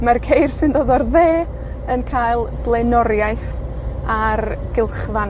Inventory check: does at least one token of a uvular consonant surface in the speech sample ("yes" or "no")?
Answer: yes